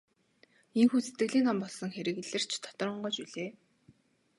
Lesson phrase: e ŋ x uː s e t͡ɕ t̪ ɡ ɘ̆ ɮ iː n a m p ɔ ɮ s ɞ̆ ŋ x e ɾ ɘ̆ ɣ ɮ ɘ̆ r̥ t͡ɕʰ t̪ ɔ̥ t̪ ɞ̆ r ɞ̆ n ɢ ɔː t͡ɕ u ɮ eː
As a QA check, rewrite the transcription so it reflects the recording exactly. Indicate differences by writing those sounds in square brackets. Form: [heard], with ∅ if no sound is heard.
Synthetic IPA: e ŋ x uː s e [∅] t̪ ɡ ɘ̆ ɮ iː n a m p ɔ ɮ s ɞ̆ ŋ x e ɾ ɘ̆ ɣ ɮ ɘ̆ r̥ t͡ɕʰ [t̪ʰ] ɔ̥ t̪ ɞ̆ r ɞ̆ [ɴ] ɢ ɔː t͡ɕ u ɮ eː

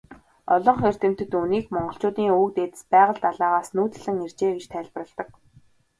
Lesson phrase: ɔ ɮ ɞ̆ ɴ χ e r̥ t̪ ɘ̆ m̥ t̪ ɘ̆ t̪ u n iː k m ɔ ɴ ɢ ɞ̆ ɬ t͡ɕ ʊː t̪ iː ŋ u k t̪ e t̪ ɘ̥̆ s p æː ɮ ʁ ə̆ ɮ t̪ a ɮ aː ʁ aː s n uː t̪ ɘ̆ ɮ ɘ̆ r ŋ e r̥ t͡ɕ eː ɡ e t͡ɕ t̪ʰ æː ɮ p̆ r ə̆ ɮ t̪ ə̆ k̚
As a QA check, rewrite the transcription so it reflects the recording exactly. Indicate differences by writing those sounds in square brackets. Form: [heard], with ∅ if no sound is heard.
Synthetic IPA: ɔ ɮ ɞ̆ ɴ χ e r̥ t̪ ɘ̆ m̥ t̪ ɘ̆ t̪ u n iː k m ɔ ɴ ɢ ɞ̆ ɬ t͡ɕ ʊː t̪ iː ŋ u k t̪ e t̪ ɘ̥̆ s p æː [∅] ʁ ə̆ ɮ t̪ a ɮ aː ʁ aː s n uː t̪ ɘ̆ ɮ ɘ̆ [∅] ŋ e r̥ t͡ɕ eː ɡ e t͡ɕ t̪ʰ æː ɮ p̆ r ə̆ ɮ t̪ ə̆ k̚

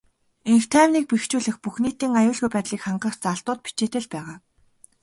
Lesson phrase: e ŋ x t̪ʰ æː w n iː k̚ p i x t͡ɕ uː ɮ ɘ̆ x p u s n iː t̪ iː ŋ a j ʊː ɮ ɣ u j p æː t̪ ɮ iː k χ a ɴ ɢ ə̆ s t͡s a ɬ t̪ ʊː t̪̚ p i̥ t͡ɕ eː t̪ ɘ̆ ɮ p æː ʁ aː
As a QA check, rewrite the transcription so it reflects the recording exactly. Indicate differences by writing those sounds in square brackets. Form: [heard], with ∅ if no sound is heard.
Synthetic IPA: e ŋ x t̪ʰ æː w n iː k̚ p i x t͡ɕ uː ɮ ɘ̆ x p u [x] n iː t̪ iː ŋ a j ʊː ɮ ɣ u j p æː t̪ ɮ iː k χ a ɴ ɢ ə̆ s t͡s a ɬ t̪ ʊː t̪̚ p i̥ t͡ɕ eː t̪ ɘ̆ ɮ p æː ʁ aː

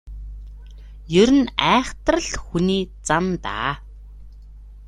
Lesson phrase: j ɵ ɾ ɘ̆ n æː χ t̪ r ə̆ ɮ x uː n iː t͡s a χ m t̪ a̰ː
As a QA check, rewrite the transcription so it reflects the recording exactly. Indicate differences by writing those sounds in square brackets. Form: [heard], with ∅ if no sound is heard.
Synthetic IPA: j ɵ ɾ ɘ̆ n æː χ t̪ r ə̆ ɮ x [u] n iː t͡s a [∅] m t̪ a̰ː

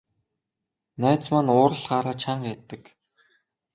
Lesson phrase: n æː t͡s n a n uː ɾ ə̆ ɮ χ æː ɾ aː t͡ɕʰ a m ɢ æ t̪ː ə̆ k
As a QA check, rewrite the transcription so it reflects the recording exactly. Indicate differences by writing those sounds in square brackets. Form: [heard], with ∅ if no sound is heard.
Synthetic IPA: n æː t͡s [m] a n [ʊː] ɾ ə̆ ɮ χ [aː] ɾ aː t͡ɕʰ a [ɴ] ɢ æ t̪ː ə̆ k

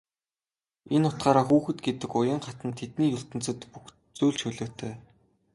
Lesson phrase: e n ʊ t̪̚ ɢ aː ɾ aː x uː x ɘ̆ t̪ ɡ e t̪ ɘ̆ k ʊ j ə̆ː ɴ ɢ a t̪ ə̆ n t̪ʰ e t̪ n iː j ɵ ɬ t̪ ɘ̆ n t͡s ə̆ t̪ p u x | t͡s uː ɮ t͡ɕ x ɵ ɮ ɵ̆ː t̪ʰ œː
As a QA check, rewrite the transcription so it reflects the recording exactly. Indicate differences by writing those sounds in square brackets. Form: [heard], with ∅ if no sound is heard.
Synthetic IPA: e n ʊ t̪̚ ɢ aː ɾ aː x uː x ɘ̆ t̪ ɡ e t̪ ɘ̆ k ʊ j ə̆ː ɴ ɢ a t̪ ə̆ n t̪ʰ e t̪ n iː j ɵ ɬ t̪ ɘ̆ n t͡s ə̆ t̪ p u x | t͡s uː ɮ t͡ɕ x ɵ ɮ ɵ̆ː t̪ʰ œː

